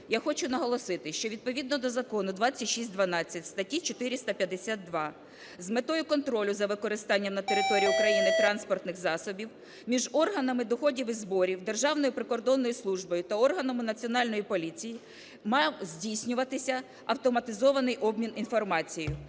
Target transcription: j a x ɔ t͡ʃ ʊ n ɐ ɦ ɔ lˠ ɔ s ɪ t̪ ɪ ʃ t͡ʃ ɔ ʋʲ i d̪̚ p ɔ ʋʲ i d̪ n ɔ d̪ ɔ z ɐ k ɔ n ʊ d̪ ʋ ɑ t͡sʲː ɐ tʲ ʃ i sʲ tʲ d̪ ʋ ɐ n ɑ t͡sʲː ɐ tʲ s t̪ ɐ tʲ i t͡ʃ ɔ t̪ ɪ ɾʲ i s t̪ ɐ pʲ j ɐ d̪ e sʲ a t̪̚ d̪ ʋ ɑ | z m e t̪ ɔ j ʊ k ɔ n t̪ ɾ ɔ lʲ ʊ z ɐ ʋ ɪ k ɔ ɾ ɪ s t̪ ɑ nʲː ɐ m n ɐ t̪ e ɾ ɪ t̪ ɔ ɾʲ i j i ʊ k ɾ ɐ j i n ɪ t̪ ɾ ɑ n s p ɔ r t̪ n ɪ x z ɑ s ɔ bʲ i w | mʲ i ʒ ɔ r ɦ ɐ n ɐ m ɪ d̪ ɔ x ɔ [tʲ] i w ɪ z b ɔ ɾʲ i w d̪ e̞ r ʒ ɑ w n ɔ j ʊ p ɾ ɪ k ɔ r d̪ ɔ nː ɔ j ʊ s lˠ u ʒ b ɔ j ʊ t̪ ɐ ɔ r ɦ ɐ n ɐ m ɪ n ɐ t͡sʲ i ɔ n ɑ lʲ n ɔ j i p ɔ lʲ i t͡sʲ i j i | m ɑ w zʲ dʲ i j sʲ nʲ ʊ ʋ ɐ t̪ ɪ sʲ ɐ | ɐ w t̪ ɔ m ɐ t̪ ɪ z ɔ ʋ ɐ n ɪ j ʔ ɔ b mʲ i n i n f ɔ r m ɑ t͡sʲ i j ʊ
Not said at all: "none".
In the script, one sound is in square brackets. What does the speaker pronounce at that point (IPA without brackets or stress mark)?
dʲ